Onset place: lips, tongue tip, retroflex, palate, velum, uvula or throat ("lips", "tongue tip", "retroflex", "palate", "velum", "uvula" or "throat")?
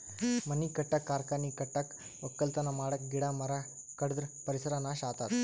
lips